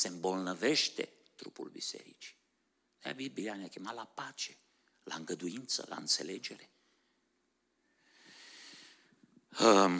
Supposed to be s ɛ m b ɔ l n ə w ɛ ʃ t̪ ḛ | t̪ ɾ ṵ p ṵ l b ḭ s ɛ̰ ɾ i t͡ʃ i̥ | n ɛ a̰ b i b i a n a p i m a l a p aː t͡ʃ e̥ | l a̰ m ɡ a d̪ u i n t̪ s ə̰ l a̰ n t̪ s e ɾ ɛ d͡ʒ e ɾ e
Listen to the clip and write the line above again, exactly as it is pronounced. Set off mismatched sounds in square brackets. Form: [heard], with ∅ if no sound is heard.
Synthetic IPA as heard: s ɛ m b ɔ l n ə [v] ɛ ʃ t̪ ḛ | t̪ ɾ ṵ p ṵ l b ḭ s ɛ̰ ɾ i t͡ʃ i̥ | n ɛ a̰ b i b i a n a [k] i m a l a p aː t͡ʃ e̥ | l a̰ [ŋ] ɡ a d̪ u i n t̪ s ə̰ l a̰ n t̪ s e [l] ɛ d͡ʒ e ɾ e